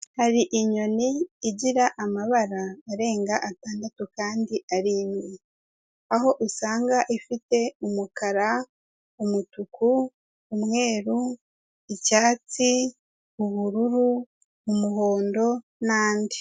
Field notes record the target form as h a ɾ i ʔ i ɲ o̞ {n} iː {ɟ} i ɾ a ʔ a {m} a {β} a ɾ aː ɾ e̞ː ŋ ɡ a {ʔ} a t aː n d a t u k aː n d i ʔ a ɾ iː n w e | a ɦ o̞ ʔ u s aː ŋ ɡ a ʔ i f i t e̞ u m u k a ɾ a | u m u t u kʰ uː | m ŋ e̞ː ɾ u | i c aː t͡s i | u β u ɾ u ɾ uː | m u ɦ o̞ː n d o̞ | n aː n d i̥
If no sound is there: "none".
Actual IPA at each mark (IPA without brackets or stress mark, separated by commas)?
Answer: n, ɟ, m, β, ʔ